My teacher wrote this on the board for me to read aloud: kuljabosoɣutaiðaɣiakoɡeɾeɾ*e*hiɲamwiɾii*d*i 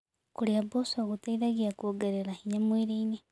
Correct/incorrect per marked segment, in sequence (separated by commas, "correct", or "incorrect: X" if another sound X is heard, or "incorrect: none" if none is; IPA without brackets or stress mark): incorrect: a, incorrect: n